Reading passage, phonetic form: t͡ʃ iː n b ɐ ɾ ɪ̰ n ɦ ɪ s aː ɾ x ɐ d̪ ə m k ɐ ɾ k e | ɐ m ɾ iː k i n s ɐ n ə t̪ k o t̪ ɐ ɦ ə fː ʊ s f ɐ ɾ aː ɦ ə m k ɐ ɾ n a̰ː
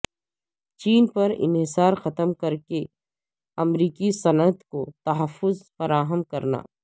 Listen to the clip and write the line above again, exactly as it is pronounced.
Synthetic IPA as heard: t͡ʃ iː n p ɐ ɾ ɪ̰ n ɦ ɪ s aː ɾ x ɐ t̪ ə m k ɐ ɾ k e | ɐ m ɾ iː k i s ɐ n ə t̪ k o t̪ ɐ ɦ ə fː ʊ z f ɐ ɾ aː ɦ ə m k ɐ ɾ n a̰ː